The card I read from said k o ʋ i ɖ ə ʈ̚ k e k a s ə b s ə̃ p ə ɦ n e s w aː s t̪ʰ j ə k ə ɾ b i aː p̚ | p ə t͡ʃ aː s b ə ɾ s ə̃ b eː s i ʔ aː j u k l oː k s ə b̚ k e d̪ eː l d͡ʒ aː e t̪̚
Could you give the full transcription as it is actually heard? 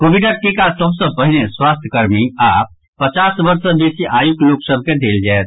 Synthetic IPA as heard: k o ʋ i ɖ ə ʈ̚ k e k a s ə b s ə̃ p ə ɦ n e s w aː s t̪ʰ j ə k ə ɾ m i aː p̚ | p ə t͡ʃ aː s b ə ɾ s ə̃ b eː s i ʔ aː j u k l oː k s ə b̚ k e d̪ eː l d͡ʒ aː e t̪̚